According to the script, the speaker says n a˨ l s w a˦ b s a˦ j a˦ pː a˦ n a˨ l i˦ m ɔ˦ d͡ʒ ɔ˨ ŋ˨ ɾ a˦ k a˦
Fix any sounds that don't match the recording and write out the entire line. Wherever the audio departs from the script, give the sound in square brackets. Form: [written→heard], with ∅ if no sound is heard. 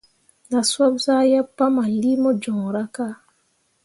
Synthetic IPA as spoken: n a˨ [l→∅] s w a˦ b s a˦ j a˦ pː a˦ [n→m] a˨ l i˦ m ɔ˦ d͡ʒ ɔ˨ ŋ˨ ɾ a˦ k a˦